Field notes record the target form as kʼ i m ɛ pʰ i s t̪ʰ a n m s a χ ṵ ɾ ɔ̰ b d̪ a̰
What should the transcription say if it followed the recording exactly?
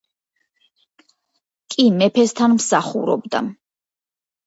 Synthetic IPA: kʼ i m ɛ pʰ ɛ s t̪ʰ a n m s a χ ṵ ɾ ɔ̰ b d̪ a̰